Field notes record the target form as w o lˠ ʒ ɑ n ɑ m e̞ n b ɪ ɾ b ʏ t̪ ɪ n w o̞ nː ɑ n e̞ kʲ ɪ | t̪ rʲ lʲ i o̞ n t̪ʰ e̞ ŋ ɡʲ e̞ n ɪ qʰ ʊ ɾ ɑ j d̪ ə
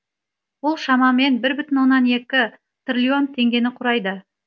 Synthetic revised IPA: w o lˠ ʃ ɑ m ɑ m e̞ n b ɪ ɾ b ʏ t̪ ɪ n w o̞ nː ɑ n e̞ kʲ ɪ | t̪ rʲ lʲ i o̞ n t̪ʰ e̞ ŋ ɡʲ e̞ n ɪ qʰ ʊ ɾ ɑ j d̪ ə